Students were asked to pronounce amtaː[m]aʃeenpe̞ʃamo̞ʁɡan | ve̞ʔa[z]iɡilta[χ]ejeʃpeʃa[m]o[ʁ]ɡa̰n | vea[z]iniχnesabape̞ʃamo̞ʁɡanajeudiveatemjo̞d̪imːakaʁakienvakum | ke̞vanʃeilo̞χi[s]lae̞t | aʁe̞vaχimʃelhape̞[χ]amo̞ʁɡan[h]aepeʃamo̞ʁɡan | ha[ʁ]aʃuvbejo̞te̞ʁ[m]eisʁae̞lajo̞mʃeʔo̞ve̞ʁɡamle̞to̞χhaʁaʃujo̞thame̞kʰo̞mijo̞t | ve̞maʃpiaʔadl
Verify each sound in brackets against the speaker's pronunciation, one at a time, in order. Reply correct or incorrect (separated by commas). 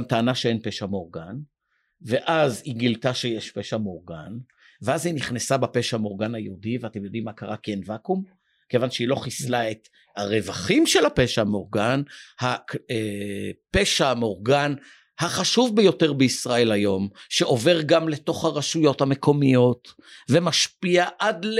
incorrect, correct, incorrect, correct, correct, correct, correct, incorrect, correct, incorrect, incorrect